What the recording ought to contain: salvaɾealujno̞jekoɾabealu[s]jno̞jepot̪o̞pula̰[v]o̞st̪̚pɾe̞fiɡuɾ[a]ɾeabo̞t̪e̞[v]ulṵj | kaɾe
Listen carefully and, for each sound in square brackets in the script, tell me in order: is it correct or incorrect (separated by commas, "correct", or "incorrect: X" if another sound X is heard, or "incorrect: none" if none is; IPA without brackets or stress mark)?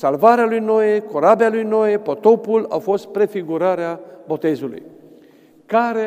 incorrect: none, incorrect: f, correct, incorrect: z